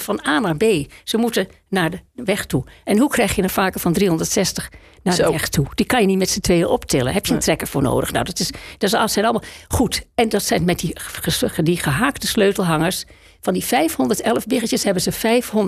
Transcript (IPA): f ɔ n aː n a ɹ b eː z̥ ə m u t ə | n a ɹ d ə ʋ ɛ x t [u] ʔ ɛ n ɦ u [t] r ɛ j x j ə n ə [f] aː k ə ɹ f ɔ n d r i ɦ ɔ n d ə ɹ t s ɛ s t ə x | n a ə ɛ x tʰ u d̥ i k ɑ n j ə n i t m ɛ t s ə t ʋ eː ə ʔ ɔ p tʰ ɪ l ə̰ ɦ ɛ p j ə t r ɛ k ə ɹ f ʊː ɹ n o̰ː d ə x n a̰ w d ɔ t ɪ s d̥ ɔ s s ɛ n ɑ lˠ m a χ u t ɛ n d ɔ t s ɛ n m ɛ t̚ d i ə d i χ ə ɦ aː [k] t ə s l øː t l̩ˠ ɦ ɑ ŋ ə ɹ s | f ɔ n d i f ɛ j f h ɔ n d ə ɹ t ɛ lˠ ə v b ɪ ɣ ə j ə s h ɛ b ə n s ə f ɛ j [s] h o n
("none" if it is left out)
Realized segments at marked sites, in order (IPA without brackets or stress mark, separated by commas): u, k, f, k, f